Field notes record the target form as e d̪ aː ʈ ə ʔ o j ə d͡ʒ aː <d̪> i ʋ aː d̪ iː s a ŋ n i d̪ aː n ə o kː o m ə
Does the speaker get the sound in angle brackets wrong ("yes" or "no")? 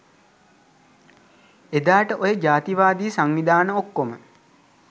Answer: yes